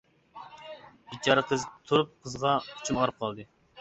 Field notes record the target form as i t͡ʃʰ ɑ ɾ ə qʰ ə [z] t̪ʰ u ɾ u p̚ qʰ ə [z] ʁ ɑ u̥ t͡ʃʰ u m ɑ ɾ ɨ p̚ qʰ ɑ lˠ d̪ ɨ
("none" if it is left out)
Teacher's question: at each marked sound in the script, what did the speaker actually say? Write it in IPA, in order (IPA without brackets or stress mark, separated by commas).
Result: z, z